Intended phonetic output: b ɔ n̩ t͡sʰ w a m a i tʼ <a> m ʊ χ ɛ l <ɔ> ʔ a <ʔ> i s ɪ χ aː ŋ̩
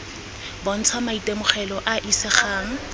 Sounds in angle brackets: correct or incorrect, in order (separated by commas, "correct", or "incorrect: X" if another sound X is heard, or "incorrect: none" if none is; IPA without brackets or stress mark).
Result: incorrect: e, correct, correct